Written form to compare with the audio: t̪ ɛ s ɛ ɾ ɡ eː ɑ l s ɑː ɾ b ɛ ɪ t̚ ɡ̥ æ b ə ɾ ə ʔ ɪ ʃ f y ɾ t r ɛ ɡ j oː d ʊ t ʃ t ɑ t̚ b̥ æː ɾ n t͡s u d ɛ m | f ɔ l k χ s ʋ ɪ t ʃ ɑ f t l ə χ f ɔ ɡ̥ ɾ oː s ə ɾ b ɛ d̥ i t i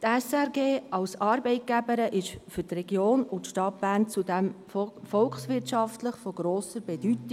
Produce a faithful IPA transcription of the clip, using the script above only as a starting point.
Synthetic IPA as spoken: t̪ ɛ s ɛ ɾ ɡ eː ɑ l s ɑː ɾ b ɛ ɪ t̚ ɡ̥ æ b ə ɾ ə ʔ ɪ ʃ f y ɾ t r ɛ ɡ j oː n ʊ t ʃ t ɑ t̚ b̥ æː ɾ n t͡s u d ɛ m | f ɔ l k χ s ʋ ɪ t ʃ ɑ f t l ə χ f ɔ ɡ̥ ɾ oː s ə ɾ b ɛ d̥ y t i